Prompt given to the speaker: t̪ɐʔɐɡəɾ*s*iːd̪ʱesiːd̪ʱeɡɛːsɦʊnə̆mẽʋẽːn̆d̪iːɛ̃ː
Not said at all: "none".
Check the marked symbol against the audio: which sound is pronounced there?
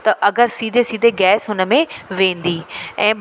s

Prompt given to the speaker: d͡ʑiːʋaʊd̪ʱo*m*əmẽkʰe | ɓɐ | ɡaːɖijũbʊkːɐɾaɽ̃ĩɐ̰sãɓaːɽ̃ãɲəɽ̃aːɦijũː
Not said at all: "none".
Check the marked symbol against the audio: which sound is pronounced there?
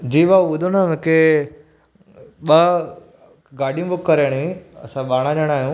n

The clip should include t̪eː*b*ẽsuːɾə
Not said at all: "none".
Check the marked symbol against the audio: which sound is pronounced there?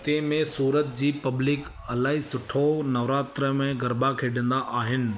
m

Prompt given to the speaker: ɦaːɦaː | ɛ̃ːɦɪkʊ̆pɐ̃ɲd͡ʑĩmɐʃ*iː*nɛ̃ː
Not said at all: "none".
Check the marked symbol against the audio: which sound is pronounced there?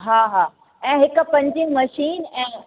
iː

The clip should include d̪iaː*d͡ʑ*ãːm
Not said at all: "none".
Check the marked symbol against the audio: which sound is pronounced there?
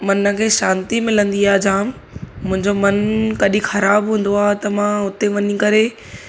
d͡ʑ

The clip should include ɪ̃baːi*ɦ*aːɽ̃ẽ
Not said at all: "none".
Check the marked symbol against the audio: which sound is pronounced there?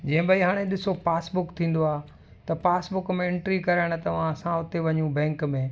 ɦ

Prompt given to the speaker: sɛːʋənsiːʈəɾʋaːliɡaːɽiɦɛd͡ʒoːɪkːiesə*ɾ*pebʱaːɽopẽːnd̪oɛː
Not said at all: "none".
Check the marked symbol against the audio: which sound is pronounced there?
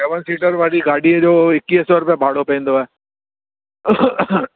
ɾ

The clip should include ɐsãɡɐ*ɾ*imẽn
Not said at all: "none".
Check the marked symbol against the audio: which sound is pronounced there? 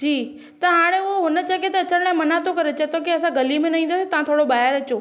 l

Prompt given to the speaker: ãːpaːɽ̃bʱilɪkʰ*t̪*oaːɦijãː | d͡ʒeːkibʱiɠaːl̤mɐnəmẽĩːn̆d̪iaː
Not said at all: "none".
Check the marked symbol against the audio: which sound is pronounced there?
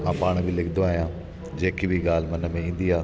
d̪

